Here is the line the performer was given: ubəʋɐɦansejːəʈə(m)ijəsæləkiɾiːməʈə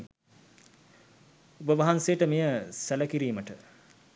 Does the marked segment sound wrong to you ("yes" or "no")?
no